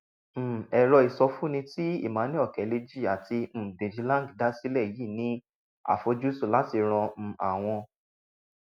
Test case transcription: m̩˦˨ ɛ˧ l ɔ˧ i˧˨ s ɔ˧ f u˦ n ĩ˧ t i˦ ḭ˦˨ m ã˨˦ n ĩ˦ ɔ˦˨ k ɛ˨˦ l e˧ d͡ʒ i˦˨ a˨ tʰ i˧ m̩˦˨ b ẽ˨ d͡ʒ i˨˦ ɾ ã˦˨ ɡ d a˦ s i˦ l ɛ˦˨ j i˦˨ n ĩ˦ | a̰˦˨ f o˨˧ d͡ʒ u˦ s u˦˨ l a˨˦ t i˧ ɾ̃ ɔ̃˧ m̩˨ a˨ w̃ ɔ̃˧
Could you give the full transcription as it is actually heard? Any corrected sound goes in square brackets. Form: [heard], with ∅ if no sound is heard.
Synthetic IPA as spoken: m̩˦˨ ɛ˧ [ɾ] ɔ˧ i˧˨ s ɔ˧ f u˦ n ĩ˧ t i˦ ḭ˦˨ m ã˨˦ n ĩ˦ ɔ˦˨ k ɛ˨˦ l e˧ d͡ʒ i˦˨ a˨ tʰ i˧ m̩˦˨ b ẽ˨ d͡ʒ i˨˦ [l] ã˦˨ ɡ d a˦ s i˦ l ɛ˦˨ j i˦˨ n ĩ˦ | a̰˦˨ f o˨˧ d͡ʒ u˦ s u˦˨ l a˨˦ t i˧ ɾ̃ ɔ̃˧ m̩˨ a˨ w̃ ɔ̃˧